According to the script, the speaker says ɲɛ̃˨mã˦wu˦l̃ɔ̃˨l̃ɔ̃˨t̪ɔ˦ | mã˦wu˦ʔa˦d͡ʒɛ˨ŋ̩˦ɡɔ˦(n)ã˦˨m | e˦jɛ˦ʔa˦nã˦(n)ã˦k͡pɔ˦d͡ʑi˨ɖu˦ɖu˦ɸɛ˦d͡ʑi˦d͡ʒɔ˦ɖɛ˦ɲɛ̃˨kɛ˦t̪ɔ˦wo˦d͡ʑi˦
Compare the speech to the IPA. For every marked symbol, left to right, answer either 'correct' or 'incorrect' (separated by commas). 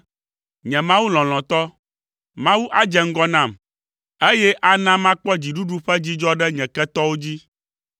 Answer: correct, incorrect